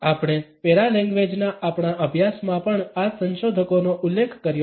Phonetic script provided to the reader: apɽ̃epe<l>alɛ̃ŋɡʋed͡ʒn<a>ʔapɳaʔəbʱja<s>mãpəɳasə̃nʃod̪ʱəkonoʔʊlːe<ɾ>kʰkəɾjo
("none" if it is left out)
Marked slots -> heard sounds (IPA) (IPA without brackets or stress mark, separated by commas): ɾ, a, s, none